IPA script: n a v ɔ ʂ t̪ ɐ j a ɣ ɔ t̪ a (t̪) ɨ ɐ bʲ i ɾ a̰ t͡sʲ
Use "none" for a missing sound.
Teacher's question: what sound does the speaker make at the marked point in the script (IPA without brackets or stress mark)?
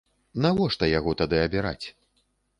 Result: d̪